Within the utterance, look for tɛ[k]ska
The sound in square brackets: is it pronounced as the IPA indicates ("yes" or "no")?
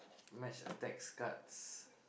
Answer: yes